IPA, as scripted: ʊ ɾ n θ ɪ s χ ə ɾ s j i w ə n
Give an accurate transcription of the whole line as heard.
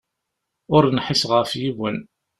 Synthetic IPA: ʊ ɾ n ħ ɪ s ʁ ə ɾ f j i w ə n